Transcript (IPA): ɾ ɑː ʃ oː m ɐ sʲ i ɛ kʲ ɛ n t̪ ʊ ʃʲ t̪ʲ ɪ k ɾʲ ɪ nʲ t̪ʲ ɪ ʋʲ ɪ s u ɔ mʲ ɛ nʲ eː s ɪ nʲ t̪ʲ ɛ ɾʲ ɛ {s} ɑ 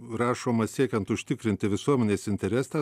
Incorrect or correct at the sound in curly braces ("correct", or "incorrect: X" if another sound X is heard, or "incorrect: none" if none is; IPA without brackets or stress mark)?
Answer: correct